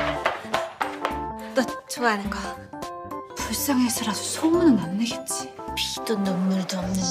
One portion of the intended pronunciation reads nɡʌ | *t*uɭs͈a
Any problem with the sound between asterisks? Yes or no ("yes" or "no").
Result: yes